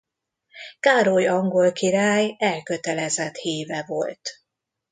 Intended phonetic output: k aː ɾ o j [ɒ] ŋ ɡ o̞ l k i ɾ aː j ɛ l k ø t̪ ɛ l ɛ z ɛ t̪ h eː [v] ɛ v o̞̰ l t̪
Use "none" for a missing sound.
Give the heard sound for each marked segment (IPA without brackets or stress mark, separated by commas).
ɒ, v